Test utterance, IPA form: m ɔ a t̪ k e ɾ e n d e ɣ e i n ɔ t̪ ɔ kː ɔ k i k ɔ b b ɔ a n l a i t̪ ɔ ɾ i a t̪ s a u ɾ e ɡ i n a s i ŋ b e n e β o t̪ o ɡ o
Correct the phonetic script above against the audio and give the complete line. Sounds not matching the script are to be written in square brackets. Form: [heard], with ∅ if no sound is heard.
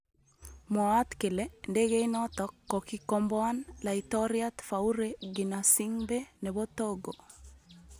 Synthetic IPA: m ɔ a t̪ k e [l] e n d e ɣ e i n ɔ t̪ ɔ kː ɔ k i k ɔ [m] b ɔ a n l a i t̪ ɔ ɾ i a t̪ [f] a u ɾ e ɡ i n a s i ŋ b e n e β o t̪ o ɡ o